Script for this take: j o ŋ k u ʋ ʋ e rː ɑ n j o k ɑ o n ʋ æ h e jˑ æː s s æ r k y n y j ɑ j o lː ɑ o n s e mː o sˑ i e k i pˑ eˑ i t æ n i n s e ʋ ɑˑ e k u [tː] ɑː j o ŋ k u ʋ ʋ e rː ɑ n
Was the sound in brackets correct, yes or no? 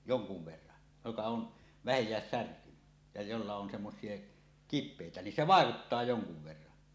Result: yes